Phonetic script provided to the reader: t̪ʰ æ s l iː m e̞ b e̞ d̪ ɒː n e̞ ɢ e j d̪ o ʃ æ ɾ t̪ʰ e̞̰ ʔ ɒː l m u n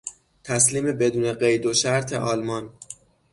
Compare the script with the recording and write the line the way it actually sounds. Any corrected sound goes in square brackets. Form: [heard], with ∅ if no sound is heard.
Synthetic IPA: t̪ʰ æ s l iː m e̞ b e̞ d̪ [uː] n e̞ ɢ e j d̪ o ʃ æ ɾ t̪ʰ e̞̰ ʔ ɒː l m [ɒ] n